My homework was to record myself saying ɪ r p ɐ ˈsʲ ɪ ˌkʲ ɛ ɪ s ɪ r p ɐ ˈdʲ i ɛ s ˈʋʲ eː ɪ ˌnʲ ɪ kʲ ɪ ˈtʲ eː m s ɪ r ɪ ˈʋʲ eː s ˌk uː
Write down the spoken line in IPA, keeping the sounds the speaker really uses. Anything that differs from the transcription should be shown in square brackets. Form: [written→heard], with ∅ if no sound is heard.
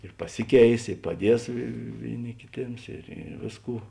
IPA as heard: ɪ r p ɐ ˈsʲ ɪ ˌkʲ ɛ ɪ s ɪ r p ɐ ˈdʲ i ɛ s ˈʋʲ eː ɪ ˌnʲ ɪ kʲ ɪ ˈtʲ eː m s ɪ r ɪ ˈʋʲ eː s ˌk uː